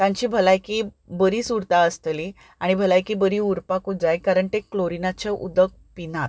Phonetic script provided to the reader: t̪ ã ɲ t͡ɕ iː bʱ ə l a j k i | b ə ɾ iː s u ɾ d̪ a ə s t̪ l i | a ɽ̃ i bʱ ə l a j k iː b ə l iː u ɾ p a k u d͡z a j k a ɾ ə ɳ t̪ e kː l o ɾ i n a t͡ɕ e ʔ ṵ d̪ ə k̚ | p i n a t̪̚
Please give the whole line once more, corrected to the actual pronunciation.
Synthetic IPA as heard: t̪ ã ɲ t͡ɕ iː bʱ ə l a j k i | b ə ɾ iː s u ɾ t̪ a ə s t̪ l i | a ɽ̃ i bʱ ə l a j k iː b ə ɾ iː u ɾ p a k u d͡z a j k a ɾ ə ɳ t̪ e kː l o ɾ i n a t͡ɕ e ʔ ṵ d̪ ə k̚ | p i n a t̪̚